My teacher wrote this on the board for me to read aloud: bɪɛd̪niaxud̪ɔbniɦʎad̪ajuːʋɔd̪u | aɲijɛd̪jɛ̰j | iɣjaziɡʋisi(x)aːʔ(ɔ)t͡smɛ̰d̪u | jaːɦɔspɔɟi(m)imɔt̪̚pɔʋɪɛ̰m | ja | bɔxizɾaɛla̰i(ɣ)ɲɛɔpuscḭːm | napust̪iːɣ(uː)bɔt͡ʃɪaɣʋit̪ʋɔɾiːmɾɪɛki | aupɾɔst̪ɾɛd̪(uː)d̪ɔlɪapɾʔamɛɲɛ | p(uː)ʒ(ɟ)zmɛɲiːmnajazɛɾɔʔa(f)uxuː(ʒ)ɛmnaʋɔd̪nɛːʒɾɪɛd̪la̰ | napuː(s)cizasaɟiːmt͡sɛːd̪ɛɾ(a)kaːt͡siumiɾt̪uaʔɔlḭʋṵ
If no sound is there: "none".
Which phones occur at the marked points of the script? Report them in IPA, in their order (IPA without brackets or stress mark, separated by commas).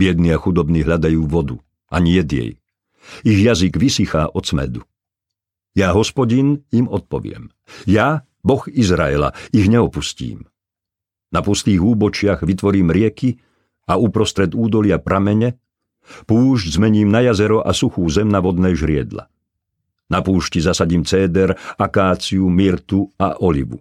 x, ɔ, n, ɣ, uː, uː, uː, ɟ, s, z, ʃ, a